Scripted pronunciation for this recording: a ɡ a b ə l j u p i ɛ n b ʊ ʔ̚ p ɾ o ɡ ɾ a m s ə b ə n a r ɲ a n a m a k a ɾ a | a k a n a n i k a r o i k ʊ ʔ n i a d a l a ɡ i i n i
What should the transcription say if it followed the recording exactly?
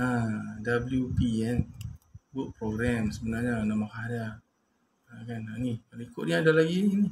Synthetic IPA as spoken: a d a b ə l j u p i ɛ n b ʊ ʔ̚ p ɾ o ɡ ɾ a m s ə b ə n a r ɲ a n a m a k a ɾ a | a k a n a n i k a l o i k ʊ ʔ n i a d a l a ɡ i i n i